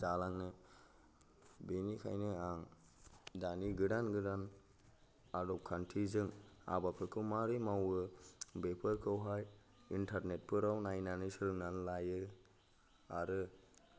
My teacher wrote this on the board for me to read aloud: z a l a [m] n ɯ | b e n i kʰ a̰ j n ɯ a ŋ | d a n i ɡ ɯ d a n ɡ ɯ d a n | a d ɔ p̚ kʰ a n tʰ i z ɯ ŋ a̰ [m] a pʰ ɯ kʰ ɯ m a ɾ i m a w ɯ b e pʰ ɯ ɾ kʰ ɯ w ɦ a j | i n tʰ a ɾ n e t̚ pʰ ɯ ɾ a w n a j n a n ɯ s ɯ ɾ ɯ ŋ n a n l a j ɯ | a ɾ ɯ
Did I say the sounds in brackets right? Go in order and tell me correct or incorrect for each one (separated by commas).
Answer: incorrect, incorrect